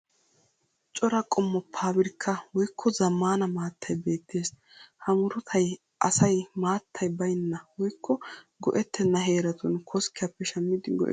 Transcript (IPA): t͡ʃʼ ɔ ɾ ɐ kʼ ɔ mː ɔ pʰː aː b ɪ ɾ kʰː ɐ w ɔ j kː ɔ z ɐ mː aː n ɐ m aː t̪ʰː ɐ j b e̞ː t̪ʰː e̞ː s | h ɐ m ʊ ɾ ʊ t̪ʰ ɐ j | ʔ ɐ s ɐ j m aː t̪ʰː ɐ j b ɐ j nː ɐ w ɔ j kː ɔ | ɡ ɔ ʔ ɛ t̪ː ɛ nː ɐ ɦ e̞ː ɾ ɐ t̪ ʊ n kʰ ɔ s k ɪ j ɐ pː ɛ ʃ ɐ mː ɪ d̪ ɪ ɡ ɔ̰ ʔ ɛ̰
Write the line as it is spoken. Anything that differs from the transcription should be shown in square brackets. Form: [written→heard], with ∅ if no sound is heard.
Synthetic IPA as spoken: t͡ʃʼ ɔ ɾ ɐ kʼ ɔ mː ɔ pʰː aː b ɪ ɾ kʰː ɐ w ɔ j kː ɔ z ɐ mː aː n ɐ m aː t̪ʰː ɐ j b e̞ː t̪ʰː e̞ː s | h ɐ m ʊ ɾ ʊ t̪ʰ ɐ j | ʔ ɐ s ɐ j m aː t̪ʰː ɐ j b ɐ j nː ɐ w ɔ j kː ɔ | ɡ ɔ ʔ ɛ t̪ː ɛ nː ɐ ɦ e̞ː ɾ ɐ t̪ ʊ n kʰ ɔ s k ɪ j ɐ pː ɛ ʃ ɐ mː ɪ d̪ ɪ ɡ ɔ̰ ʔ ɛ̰